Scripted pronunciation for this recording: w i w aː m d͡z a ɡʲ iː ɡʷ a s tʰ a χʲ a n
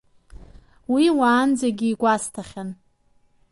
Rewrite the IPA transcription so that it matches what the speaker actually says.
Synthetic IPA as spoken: w i w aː n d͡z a ɡʲ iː ɡʷ a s tʰ a χʲ a n